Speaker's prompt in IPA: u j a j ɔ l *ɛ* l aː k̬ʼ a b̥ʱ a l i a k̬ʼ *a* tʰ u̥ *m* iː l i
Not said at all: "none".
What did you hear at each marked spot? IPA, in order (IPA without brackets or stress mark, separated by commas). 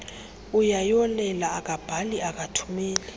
ɛ, a, m